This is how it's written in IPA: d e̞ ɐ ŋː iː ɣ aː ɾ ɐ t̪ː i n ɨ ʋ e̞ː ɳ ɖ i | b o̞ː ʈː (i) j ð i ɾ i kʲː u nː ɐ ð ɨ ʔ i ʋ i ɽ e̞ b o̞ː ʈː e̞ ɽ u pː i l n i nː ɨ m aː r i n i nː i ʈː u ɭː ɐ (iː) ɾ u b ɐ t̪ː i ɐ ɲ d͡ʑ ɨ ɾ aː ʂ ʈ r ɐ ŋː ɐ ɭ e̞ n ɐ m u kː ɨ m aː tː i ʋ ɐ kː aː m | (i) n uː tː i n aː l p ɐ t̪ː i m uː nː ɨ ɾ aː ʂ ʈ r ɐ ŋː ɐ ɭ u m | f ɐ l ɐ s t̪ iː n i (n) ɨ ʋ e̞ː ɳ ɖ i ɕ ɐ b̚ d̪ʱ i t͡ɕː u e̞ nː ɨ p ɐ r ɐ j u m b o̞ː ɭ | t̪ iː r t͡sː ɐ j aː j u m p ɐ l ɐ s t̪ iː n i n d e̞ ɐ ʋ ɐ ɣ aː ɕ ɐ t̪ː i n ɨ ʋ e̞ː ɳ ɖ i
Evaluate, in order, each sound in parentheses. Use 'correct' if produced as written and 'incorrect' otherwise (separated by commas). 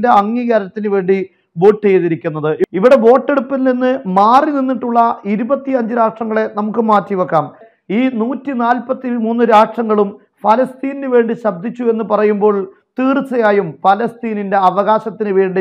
incorrect, incorrect, incorrect, correct